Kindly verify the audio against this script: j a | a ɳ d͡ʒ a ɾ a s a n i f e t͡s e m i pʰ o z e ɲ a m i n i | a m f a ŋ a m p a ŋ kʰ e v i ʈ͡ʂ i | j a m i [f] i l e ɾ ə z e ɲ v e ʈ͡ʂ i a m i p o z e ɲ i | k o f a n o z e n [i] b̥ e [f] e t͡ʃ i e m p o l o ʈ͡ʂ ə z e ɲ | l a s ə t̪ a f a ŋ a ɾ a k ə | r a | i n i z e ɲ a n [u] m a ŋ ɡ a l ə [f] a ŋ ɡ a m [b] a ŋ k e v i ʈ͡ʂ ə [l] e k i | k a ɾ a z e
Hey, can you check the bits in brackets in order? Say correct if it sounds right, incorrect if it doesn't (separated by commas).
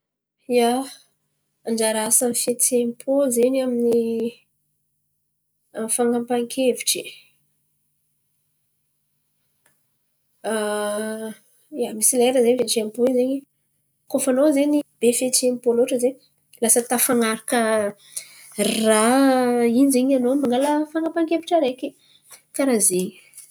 incorrect, correct, correct, incorrect, correct, incorrect, incorrect